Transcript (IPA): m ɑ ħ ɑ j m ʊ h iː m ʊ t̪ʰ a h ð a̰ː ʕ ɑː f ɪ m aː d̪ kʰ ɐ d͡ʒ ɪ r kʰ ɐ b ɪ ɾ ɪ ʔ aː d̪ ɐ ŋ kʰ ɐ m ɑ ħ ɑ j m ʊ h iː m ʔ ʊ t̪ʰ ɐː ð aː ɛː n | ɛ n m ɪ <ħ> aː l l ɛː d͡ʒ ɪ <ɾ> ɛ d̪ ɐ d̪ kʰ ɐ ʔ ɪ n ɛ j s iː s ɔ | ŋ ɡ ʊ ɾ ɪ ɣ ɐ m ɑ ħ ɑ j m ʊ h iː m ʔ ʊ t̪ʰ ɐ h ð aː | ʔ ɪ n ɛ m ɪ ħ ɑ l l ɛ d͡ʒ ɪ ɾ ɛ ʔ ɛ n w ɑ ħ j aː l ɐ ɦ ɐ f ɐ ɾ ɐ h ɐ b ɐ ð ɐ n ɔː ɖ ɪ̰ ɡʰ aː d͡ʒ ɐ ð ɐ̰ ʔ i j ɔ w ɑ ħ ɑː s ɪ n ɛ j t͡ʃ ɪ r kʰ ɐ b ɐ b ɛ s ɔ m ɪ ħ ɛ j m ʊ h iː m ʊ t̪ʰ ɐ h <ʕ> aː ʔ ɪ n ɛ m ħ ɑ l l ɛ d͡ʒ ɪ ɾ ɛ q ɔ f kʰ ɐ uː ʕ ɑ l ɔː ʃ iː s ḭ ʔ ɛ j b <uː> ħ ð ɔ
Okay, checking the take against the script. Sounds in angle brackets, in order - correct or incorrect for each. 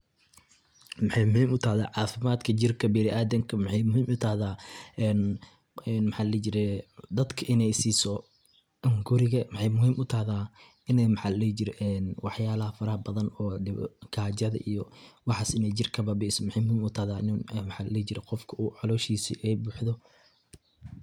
correct, correct, incorrect: ð, correct

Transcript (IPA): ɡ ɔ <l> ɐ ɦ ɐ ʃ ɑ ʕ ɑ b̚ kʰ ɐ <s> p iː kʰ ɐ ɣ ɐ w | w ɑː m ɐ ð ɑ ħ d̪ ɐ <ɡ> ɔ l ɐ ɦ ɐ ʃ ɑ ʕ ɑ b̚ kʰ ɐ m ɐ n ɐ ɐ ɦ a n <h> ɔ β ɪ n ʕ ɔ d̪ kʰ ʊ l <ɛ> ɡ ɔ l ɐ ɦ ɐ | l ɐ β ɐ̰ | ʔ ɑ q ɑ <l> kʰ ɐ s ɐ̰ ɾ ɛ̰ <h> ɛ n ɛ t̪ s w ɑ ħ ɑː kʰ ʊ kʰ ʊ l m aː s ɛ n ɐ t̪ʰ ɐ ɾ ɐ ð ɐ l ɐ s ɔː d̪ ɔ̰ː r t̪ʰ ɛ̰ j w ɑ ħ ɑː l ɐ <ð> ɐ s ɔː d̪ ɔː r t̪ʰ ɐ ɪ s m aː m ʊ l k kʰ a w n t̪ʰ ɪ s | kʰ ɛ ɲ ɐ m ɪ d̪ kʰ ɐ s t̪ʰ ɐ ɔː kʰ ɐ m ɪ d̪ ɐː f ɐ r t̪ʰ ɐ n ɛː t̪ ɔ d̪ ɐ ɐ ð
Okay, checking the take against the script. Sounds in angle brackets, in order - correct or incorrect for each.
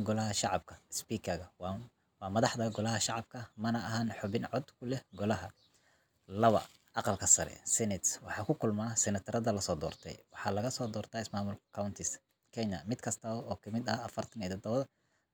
correct, correct, correct, incorrect: ħ, correct, correct, incorrect: s, incorrect: ɣ

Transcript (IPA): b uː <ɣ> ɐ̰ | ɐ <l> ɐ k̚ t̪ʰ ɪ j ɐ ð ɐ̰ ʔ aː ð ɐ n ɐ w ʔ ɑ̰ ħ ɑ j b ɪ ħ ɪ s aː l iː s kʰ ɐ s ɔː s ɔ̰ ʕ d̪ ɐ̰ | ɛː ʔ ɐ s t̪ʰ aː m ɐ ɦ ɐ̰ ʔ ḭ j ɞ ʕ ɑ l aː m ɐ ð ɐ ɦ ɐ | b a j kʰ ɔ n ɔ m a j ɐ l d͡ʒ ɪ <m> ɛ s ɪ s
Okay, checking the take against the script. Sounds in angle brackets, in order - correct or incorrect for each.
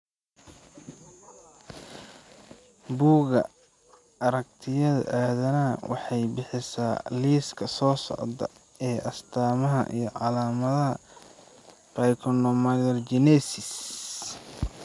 correct, incorrect: ɾ, incorrect: n

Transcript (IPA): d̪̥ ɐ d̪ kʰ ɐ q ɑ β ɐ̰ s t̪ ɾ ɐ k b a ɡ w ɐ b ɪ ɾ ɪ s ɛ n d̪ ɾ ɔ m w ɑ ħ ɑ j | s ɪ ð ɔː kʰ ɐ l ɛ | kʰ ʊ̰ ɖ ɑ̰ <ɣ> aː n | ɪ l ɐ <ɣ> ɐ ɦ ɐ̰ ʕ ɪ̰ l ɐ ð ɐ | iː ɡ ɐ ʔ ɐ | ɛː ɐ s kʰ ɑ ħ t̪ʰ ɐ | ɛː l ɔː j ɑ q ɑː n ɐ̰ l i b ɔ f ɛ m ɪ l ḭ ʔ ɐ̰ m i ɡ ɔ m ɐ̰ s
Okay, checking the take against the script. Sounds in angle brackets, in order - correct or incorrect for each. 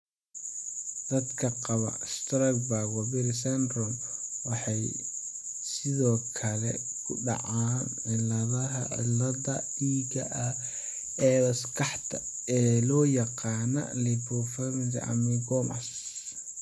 incorrect: ʕ, incorrect: ð

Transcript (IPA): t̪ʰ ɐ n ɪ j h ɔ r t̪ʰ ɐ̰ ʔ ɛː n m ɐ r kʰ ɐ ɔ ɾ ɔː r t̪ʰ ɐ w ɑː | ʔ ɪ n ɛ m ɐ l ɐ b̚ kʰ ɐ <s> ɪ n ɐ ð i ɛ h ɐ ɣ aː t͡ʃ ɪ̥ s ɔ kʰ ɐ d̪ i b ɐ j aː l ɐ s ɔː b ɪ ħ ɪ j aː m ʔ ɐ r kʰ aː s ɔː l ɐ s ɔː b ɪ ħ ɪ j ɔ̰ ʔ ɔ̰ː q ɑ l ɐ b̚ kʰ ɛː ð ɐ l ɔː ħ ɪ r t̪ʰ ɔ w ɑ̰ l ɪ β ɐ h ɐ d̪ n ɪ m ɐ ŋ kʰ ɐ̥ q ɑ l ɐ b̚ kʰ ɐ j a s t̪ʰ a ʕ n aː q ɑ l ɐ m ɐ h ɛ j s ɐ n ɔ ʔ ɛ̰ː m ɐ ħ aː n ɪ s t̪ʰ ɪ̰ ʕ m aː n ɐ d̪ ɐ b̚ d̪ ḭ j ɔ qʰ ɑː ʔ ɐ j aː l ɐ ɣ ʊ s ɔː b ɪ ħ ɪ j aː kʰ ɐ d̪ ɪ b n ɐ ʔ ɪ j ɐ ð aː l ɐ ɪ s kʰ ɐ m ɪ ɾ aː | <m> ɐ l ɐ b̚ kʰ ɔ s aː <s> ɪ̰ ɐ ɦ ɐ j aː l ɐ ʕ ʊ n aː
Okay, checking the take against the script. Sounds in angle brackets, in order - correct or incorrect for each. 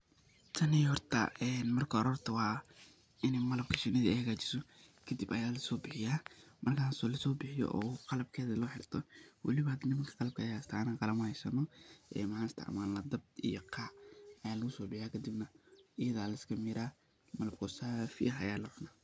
incorrect: ʃ, correct, incorrect: f

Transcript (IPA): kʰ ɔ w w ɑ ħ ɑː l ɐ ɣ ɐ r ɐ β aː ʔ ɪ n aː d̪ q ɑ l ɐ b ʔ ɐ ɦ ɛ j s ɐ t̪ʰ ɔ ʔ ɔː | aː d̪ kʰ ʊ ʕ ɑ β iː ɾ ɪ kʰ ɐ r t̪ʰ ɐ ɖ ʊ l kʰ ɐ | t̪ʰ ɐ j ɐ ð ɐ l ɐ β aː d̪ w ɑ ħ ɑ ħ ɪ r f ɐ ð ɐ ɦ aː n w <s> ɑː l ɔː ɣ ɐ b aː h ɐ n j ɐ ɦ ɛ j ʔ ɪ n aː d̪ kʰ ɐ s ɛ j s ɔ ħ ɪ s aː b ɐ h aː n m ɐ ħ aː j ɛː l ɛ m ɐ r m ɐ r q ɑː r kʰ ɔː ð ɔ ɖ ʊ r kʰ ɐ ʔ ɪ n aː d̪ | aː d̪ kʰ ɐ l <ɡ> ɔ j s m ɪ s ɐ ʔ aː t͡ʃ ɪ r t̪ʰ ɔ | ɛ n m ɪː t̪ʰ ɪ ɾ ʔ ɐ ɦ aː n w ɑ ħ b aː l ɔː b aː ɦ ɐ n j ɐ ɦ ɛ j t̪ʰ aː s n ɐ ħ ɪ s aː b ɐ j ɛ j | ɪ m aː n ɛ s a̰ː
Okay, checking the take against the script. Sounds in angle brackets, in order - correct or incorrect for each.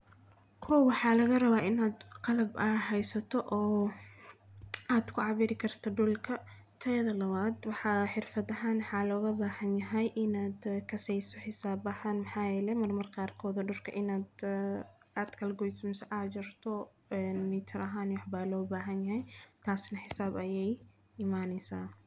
incorrect: ħ, correct

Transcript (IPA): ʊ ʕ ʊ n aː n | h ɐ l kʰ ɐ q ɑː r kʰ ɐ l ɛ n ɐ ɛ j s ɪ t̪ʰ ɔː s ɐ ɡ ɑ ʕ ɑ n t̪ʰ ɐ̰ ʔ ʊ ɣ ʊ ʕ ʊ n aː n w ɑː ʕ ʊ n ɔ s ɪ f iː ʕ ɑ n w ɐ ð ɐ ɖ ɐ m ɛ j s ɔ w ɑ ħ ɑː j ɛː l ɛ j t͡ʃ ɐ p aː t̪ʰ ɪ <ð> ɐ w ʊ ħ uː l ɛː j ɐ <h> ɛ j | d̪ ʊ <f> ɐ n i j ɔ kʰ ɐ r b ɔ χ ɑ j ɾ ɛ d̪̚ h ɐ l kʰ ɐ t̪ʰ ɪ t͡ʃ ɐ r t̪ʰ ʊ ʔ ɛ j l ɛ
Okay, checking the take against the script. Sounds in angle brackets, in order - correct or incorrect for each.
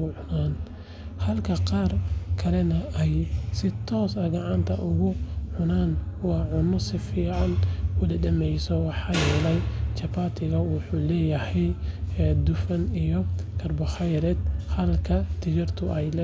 incorrect: ɣ, correct, correct

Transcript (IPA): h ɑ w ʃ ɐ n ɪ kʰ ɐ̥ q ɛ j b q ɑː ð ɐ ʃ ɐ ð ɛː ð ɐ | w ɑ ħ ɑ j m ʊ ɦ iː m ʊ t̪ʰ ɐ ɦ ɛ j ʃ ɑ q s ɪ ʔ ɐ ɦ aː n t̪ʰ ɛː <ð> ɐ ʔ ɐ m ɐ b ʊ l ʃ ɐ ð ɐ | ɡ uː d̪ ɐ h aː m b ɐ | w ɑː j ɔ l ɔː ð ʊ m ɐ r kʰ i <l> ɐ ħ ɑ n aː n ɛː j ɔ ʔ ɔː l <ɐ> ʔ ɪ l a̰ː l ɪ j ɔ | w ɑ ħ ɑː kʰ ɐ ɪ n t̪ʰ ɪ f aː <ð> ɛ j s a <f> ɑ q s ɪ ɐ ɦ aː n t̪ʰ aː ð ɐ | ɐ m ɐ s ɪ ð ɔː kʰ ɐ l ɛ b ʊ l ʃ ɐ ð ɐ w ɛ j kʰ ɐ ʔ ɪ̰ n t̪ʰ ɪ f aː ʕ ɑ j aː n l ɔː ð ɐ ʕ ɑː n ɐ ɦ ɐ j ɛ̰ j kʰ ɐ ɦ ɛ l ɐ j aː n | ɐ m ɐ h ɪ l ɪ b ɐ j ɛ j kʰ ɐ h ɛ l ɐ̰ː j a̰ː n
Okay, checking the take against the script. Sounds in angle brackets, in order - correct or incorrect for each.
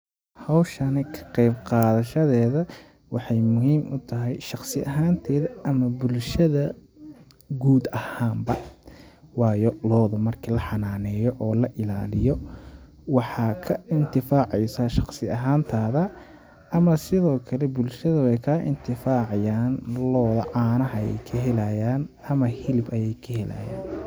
correct, correct, correct, incorrect: ʕ, incorrect: ʃ

